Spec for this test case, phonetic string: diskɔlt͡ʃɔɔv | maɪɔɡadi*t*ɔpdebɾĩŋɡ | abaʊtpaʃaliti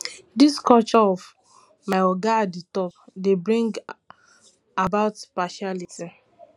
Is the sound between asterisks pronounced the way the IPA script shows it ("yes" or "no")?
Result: yes